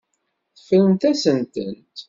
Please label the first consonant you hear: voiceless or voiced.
voiceless